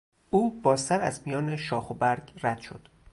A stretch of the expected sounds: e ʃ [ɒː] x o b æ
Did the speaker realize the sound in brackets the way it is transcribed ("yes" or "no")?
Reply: yes